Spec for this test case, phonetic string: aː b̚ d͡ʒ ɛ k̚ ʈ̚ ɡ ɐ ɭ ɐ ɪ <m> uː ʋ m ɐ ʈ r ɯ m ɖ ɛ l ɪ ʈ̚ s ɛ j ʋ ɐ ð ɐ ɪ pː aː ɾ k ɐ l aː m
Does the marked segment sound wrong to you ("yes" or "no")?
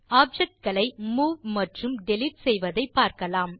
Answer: no